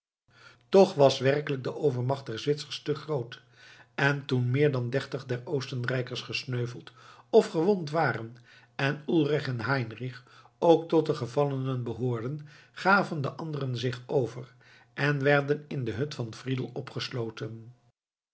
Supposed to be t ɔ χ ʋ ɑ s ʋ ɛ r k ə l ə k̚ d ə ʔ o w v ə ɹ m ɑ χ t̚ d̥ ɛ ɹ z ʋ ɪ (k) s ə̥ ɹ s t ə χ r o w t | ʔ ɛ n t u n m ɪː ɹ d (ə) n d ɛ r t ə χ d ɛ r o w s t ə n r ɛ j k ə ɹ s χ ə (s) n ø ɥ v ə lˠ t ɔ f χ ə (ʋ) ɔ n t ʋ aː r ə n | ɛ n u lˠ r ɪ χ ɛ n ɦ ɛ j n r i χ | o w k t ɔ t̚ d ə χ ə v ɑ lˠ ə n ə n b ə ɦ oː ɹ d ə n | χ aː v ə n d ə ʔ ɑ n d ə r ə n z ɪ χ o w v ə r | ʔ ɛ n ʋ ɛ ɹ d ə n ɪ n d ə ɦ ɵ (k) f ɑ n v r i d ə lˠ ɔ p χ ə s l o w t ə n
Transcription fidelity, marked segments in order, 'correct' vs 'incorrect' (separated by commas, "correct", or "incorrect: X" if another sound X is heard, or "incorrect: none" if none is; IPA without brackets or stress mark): incorrect: t, incorrect: ɑ, correct, correct, incorrect: t